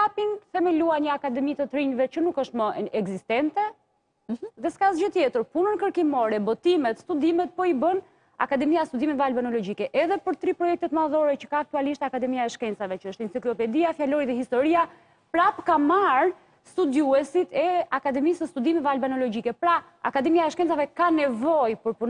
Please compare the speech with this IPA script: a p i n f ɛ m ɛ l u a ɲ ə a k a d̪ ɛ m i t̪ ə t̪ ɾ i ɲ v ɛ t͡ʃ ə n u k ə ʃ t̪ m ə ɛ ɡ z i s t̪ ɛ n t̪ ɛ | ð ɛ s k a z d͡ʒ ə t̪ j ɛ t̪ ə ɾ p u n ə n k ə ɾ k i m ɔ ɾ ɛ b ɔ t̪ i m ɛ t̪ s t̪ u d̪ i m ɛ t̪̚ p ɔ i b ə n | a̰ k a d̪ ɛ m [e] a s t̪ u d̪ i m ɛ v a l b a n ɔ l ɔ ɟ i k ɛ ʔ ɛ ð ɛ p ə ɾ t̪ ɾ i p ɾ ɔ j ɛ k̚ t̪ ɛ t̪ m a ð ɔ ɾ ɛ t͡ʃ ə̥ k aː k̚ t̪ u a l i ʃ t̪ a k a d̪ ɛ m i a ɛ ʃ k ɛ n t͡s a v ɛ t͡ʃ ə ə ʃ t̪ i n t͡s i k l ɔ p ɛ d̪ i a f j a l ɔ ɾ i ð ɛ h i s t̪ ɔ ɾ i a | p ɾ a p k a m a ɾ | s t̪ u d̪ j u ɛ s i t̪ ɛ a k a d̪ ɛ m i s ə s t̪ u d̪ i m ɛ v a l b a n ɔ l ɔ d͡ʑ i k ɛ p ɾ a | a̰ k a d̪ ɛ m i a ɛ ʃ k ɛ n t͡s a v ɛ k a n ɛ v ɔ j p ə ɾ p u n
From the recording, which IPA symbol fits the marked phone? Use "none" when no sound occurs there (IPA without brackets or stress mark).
i